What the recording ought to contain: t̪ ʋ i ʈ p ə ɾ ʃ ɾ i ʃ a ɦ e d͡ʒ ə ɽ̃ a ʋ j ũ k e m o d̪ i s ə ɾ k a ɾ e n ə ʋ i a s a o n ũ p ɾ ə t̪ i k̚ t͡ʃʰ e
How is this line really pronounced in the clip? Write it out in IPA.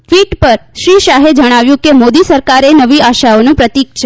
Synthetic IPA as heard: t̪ ʋ i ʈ p ə ɾ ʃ ɾ i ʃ a ɦ e d͡ʒ ə ɽ̃ a ʋ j ũ k e m o d̪ i s ə ɾ k a ɾ e n ə ʋ i a ʃ a o n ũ p ɾ ə t̪ i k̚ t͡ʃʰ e